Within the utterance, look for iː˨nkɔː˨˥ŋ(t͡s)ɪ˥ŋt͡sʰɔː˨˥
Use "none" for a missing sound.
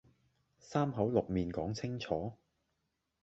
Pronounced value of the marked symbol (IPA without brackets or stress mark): t͡sʰ